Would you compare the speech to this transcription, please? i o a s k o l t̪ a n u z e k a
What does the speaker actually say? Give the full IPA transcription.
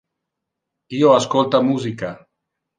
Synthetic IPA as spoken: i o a s k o l t̪ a m u z i k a